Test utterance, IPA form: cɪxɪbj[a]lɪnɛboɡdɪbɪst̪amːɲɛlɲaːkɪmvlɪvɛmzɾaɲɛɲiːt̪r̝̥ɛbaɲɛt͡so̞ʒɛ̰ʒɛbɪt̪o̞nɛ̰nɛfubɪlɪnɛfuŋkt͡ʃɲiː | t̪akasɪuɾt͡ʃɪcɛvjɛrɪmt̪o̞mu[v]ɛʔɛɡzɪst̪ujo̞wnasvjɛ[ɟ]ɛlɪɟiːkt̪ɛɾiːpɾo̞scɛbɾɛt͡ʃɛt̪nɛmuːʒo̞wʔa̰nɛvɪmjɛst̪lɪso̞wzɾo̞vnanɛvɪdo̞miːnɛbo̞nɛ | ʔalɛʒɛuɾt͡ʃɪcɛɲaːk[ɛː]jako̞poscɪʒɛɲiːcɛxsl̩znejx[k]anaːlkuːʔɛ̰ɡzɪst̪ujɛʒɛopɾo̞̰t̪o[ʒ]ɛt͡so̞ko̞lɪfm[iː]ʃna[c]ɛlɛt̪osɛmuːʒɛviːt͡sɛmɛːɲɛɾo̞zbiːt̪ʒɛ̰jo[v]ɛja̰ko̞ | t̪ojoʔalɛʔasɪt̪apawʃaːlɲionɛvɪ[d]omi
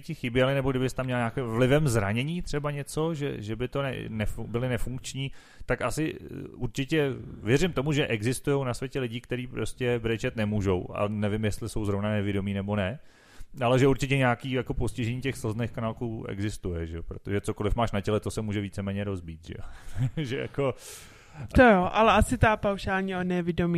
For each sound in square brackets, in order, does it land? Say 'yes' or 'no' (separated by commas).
no, no, no, no, yes, yes, no, yes, no, yes